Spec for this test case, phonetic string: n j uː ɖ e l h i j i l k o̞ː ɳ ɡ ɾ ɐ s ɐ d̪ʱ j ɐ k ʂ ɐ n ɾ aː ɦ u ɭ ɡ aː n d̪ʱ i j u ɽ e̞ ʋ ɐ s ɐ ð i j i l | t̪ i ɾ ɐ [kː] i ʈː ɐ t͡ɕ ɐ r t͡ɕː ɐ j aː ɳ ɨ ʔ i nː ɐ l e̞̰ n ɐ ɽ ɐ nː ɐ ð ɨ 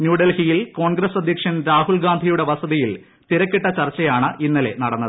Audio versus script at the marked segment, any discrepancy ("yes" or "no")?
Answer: no